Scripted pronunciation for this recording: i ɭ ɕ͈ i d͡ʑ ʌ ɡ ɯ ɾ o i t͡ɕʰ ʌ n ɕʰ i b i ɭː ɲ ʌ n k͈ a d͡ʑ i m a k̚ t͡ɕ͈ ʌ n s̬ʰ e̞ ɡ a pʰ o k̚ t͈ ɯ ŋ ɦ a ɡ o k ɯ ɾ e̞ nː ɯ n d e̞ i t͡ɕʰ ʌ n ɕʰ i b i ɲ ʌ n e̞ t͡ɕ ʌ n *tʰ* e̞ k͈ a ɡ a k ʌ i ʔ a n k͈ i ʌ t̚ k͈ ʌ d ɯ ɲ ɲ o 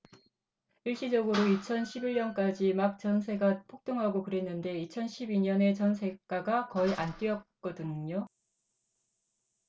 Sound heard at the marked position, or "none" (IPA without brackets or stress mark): sʰ